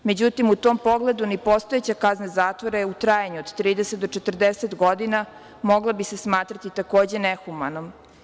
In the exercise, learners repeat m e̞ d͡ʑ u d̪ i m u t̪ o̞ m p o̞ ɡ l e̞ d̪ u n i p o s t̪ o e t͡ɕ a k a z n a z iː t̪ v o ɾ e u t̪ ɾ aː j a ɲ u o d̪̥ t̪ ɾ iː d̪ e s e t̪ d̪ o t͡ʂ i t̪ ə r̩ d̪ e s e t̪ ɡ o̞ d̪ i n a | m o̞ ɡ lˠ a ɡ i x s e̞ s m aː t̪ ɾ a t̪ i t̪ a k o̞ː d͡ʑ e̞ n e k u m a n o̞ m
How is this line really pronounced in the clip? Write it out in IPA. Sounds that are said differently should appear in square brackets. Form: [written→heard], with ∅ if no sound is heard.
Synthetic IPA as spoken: m e̞ d͡ʑ u [d̪→t̪] i m u t̪ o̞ m p o̞ ɡ l e̞ d̪ u n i p o s t̪ o e t͡ɕ a k a z n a z [iː→aː] t̪ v o ɾ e u t̪ ɾ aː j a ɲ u o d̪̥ t̪ ɾ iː d̪ e s e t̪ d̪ o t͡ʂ [i→e] t̪ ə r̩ d̪ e s e t̪ ɡ o̞ d̪ i n a | m o̞ ɡ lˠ a [ɡ→b] i [x→∅] s e̞ s m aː t̪ ɾ a t̪ i t̪ a k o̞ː d͡ʑ e̞ n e [k→x] u m a n o̞ m